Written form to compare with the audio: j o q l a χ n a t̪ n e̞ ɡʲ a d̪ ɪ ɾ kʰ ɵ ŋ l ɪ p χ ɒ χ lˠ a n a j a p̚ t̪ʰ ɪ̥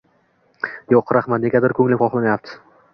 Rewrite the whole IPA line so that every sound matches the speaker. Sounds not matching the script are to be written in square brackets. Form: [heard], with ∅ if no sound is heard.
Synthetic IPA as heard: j o q [ɾ] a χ [m] a t̪ n e̞ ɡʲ a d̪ ɪ ɾ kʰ ɵ ŋ l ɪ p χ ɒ χ lˠ a n a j a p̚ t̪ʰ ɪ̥